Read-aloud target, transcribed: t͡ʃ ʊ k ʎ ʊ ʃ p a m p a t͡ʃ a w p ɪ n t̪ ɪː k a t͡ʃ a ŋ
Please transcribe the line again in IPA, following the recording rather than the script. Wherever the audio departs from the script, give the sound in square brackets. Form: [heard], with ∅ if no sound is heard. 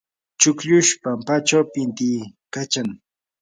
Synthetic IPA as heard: t͡ʃ ʊ k ʎ ʊ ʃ p a m p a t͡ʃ a w p ɪ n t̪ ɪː k a t͡ʃ a ŋ